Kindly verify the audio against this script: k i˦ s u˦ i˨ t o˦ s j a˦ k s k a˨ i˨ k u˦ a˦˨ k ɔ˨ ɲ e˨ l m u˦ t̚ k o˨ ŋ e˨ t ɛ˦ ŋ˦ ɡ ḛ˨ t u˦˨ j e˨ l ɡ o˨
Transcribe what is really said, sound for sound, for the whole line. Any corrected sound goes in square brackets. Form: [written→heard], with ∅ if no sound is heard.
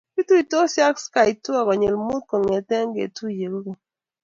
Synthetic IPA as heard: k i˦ [s→t] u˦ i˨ t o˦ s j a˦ k s k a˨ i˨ [k→t] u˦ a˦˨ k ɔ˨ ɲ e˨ l m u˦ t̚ k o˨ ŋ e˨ t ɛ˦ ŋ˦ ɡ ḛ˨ t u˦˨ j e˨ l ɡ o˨